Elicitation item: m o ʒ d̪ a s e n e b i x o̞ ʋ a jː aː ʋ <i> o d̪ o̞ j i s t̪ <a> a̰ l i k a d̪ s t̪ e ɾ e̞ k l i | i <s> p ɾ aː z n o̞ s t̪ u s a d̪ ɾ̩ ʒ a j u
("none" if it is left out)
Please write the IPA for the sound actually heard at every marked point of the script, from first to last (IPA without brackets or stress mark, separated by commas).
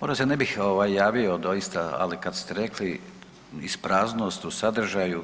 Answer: i, a, s